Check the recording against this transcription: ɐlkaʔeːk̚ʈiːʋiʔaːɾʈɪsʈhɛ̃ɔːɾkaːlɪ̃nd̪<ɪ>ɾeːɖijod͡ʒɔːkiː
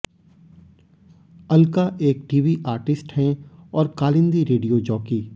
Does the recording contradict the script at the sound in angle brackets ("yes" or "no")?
yes